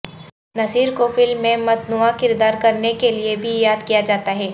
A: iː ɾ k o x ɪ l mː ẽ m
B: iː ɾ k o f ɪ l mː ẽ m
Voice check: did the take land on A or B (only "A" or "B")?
B